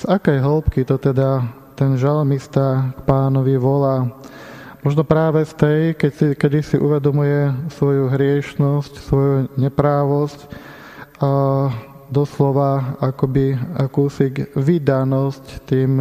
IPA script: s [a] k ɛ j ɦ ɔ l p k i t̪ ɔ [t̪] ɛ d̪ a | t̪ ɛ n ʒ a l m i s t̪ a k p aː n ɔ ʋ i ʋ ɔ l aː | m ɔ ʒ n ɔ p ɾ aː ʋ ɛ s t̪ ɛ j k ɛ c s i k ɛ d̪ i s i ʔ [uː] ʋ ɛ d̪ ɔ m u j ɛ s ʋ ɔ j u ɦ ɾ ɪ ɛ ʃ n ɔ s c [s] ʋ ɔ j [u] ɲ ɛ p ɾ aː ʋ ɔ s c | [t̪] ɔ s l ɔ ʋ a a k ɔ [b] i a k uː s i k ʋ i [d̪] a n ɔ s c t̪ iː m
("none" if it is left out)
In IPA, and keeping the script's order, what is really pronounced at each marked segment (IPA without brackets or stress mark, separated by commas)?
a, t̪, u, s, u, d̪, b, d̪